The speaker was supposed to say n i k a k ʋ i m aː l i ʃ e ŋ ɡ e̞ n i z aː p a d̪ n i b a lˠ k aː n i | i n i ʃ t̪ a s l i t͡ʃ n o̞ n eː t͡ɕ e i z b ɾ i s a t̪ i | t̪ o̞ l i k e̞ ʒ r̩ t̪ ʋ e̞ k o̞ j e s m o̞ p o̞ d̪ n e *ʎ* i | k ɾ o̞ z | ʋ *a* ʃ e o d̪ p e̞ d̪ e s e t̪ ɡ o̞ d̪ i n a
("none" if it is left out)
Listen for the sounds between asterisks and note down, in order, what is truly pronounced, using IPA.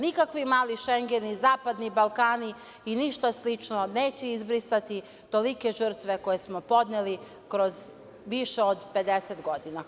l, i

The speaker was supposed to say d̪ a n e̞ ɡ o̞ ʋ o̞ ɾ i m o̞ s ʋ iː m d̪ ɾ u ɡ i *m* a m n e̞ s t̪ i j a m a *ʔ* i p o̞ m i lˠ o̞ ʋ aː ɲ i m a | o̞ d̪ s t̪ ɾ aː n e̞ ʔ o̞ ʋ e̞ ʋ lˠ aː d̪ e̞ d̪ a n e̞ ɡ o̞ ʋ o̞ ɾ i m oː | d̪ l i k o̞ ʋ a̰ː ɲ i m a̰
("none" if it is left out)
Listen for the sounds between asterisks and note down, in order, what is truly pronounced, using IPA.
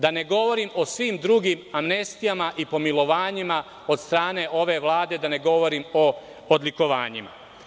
m, ʔ

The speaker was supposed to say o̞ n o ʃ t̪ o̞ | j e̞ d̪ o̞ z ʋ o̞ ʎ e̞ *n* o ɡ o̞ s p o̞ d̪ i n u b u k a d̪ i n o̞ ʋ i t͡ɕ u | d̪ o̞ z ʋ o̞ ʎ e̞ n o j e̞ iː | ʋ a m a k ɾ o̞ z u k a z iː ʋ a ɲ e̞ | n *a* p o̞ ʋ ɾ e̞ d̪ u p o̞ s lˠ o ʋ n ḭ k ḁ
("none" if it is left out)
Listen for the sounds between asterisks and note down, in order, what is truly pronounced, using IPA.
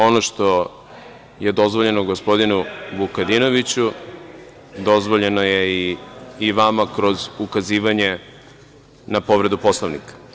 n, a

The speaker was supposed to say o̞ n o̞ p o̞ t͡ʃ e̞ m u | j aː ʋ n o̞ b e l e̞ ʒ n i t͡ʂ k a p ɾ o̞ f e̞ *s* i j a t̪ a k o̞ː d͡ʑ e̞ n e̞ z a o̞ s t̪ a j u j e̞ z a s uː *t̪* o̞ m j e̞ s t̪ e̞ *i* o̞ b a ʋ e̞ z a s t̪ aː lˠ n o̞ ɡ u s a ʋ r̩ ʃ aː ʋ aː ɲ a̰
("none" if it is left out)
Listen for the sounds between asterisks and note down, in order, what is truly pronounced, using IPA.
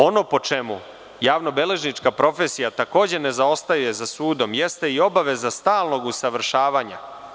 s, d̪, i

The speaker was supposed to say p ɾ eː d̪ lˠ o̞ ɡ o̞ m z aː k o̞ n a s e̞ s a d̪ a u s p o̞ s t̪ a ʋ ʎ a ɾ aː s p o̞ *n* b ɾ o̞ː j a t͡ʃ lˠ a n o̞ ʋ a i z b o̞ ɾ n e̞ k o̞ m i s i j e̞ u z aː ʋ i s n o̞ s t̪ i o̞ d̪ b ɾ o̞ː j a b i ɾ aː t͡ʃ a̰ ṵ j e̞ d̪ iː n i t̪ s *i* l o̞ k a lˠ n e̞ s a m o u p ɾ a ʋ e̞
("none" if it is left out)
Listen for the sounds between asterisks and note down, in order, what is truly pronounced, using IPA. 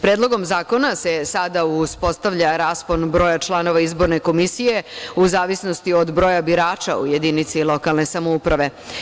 n, i

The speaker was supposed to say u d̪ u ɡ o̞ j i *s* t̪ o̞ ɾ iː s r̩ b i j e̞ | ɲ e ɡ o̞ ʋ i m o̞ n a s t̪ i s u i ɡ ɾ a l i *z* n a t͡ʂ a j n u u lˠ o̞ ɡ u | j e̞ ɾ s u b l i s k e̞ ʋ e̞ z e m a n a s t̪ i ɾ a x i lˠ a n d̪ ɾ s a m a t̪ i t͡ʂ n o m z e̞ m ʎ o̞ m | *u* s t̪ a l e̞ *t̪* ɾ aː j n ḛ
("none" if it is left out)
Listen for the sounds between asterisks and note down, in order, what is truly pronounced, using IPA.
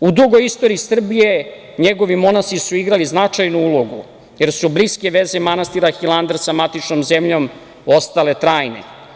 s, z, o, t̪

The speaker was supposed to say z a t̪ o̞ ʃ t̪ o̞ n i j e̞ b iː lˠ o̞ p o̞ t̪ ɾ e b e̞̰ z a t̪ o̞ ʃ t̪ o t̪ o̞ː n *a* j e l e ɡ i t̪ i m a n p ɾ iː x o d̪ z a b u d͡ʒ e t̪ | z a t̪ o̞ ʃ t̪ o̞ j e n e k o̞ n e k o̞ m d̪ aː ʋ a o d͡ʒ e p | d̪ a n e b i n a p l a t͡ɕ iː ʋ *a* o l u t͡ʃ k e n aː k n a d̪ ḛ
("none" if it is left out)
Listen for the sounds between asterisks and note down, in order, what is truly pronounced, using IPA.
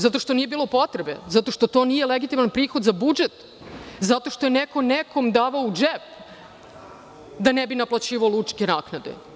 i, a

